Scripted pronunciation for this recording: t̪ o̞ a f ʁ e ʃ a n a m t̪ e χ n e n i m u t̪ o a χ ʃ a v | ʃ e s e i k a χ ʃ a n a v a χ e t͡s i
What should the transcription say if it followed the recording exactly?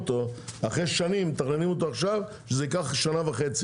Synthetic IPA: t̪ o̞ a χ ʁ e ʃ a n i m t̪ a χ n e n i m o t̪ o a χ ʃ a v | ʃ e z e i k a χ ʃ a n a v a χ e t͡s i